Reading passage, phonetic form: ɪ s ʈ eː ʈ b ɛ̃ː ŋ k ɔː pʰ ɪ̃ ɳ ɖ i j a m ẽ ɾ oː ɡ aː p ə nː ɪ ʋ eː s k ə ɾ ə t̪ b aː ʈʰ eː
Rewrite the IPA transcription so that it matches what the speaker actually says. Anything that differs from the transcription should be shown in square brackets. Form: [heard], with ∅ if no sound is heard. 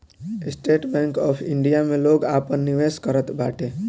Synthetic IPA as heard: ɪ s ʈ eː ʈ b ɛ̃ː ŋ k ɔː pʰ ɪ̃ ɳ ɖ i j a m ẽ [l] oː ɡ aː p ə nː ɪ ʋ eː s k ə ɾ ə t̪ b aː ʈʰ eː